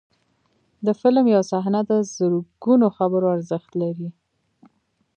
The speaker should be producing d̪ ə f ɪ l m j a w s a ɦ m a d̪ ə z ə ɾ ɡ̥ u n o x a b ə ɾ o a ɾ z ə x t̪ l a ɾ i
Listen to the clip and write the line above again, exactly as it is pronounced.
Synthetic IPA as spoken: d̪ ə f ɪ l m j a w s a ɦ n a d̪ ə z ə ɾ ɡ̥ u n o x a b ə ɾ o a ɾ z ə x t̪ l a ɾ i